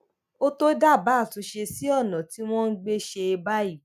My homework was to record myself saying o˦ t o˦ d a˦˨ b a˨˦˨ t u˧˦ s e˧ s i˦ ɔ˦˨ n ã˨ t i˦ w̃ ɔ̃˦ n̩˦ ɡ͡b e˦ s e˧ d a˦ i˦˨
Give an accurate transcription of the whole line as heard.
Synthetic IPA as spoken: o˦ t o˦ d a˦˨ b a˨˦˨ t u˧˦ ʃ e˧ s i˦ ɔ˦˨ n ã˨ t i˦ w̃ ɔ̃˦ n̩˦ ɡ͡b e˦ ʃ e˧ b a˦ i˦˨